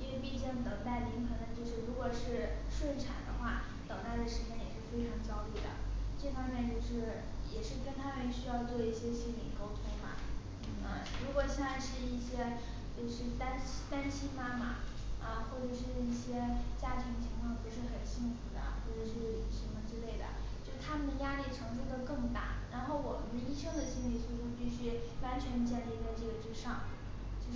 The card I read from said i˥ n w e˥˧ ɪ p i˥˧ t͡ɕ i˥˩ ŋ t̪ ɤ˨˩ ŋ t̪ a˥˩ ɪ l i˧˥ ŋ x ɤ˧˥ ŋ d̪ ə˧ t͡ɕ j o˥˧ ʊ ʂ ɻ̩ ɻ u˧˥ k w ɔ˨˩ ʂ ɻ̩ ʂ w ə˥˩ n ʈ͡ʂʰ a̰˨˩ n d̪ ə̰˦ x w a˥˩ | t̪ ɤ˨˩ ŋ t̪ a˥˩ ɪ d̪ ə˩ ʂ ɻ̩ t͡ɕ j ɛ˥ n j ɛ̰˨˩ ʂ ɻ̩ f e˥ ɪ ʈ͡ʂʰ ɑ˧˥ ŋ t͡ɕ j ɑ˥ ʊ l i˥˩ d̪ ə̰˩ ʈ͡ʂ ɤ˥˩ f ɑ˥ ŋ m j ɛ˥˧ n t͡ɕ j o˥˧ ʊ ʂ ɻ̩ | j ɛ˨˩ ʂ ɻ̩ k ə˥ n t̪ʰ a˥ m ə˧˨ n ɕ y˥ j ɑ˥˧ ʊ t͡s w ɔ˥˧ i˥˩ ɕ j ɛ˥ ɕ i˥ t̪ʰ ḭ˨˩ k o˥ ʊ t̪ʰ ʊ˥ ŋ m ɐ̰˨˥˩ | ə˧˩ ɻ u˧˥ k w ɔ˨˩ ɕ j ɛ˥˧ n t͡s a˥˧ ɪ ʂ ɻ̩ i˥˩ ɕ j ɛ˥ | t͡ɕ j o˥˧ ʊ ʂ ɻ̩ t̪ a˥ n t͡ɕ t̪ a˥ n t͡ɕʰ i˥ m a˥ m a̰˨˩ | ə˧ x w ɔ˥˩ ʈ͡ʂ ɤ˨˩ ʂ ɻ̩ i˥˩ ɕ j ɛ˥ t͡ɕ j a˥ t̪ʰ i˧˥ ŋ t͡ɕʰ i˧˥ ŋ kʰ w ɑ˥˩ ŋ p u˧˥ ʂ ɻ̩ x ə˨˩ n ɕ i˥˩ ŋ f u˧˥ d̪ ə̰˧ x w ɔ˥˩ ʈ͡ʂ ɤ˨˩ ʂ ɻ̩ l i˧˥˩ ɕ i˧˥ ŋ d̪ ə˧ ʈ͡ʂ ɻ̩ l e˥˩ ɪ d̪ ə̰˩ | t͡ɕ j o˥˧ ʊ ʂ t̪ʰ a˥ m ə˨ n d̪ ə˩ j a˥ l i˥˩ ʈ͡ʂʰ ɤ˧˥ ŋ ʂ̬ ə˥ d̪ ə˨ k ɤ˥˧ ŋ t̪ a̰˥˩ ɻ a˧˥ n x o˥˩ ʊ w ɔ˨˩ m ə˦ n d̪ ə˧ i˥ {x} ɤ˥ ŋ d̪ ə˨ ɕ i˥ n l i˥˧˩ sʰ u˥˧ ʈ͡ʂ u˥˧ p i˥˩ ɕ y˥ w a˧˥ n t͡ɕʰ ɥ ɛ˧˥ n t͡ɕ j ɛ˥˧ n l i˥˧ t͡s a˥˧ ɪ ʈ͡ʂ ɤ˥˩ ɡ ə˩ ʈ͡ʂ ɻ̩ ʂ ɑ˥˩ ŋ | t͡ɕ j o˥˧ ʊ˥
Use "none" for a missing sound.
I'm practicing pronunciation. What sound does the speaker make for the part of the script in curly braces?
ʂ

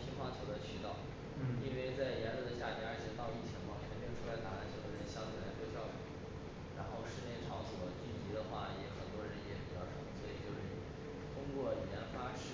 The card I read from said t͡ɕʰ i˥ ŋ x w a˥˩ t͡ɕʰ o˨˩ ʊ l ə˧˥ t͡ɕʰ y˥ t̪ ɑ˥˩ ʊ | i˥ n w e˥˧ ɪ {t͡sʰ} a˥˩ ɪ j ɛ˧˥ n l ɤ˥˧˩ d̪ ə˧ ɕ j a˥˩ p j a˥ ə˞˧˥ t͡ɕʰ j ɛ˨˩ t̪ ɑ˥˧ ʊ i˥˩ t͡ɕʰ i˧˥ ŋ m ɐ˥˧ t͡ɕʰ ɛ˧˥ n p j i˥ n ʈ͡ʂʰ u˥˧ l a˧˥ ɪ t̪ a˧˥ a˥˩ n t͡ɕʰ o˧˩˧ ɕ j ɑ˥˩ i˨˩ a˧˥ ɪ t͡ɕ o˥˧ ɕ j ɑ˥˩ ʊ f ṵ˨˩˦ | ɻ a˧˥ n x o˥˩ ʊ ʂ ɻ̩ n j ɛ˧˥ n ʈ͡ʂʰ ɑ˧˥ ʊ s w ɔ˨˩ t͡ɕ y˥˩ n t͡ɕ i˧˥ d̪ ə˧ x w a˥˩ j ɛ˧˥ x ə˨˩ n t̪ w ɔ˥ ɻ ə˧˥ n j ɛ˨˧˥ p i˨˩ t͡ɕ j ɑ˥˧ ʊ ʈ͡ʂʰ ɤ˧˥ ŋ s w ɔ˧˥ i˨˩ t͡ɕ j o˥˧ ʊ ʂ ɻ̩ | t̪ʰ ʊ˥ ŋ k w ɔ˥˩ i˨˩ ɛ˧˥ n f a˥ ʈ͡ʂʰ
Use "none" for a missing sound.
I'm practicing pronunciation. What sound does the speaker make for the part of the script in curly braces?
t͡s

